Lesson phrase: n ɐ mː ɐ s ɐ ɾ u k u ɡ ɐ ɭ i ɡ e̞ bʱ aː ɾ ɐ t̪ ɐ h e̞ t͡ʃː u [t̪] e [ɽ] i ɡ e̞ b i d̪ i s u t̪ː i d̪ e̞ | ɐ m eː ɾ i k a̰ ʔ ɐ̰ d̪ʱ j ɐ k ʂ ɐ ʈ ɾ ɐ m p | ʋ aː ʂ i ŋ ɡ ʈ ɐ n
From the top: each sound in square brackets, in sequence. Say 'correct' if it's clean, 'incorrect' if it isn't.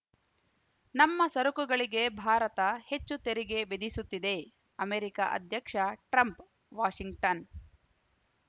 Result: correct, incorrect

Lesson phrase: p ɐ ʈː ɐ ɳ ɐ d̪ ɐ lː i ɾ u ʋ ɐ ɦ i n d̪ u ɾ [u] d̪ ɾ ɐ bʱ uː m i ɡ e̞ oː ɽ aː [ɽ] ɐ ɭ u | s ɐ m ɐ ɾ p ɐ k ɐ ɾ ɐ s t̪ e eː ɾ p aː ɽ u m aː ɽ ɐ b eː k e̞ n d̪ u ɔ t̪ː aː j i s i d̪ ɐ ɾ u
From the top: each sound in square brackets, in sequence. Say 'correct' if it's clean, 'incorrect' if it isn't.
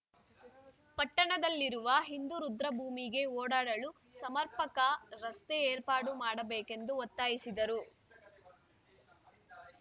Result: correct, correct

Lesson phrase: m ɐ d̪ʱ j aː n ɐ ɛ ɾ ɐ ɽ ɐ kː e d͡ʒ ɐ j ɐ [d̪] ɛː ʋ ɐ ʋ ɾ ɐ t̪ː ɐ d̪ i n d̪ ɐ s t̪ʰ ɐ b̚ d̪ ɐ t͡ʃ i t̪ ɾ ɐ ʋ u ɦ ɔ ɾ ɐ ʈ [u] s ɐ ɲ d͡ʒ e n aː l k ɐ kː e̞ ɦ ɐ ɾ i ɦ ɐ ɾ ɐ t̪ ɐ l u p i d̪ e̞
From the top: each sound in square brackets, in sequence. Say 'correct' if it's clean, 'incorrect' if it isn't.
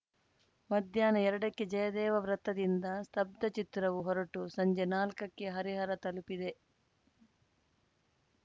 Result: correct, correct

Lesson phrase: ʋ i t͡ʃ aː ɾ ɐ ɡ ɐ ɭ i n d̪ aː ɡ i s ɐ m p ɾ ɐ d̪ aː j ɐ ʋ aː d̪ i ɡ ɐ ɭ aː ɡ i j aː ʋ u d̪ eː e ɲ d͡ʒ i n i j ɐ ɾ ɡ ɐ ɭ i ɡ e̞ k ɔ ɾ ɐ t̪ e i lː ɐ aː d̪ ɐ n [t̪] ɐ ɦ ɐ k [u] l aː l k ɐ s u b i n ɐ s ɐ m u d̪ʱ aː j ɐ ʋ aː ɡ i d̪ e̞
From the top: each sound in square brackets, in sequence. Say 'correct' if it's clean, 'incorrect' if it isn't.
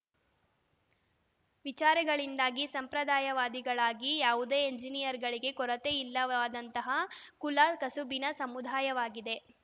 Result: correct, correct

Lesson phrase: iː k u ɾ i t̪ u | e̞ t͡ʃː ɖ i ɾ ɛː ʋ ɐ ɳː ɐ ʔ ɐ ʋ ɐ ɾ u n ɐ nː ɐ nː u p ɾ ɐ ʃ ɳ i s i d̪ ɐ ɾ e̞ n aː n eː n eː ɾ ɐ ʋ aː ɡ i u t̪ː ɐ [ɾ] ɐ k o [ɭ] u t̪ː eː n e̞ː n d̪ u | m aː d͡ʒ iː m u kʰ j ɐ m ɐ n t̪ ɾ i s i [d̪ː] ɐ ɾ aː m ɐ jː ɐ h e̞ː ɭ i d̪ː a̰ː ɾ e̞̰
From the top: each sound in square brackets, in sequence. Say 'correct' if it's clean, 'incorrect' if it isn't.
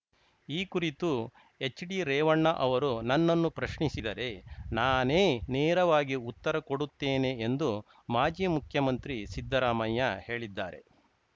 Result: correct, incorrect, correct

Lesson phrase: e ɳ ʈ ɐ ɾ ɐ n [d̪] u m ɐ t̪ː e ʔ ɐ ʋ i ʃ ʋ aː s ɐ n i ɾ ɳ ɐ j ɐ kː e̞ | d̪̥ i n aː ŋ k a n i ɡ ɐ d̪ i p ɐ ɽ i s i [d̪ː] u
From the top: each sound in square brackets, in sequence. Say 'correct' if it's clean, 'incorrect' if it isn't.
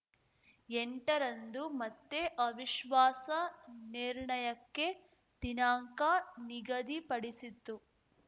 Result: correct, incorrect

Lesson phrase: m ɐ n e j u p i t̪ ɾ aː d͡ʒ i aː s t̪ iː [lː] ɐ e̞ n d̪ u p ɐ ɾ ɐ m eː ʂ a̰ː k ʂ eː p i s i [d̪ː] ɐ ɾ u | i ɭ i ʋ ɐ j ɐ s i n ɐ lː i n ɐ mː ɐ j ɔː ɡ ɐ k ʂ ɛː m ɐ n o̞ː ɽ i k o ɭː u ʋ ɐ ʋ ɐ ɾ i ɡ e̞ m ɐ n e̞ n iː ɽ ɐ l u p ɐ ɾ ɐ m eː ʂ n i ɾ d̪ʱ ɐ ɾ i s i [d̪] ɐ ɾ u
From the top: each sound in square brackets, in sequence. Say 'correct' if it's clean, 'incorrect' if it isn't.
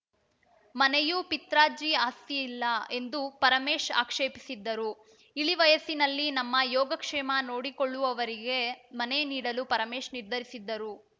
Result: correct, correct, incorrect

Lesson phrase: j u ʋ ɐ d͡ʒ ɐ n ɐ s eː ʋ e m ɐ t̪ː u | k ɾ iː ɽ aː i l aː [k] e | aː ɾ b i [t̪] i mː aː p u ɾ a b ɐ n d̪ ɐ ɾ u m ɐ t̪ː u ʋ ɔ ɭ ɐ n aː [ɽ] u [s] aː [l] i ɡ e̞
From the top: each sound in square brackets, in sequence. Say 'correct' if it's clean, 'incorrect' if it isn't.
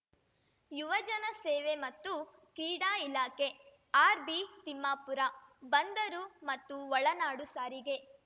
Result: correct, correct, correct, correct, incorrect

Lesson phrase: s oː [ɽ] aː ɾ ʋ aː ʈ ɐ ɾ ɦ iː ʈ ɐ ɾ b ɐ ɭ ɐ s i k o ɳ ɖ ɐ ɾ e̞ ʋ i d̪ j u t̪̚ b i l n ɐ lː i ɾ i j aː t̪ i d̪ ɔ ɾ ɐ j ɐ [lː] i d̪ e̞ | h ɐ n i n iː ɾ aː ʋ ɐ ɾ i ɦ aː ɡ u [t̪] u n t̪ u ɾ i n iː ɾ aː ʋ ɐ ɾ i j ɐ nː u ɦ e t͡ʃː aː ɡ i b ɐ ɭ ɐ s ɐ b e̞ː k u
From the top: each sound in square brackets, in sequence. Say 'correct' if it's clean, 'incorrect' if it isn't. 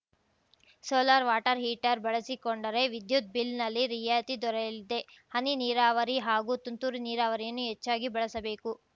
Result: incorrect, incorrect, correct

